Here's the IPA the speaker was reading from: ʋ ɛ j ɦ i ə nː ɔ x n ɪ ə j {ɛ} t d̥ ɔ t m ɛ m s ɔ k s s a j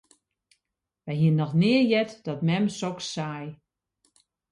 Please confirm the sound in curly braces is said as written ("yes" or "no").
yes